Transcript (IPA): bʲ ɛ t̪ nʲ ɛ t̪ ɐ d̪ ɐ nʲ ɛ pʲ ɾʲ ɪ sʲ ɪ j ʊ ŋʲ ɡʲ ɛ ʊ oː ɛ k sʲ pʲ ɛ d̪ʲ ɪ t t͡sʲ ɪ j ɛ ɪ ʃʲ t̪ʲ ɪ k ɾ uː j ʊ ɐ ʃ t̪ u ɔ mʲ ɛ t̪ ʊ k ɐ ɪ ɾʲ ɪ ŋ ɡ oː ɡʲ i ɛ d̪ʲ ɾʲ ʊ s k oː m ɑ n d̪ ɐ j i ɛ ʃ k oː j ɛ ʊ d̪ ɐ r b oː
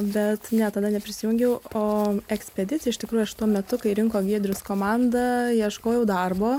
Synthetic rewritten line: bʲ ɛ t̪ nʲ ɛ t̪ ɐ d̪ ɐ nʲ ɛ pʲ ɾʲ ɪ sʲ ɪ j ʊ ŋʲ ɡʲ ɛ ʊ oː ɛ k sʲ pʲ ɛ d̪ʲ ɪ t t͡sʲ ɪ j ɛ ɪ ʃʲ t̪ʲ ɪ k ɾ uː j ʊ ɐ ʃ t̪ u ɔ mʲ ɛ t̪ ʊ k ɐ ɪ ɾʲ ɪ ŋ k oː ɡʲ i ɛ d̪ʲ ɾʲ ʊ s k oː m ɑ n d̪ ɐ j i ɛ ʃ k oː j ɛ ʊ d̪ ɐ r b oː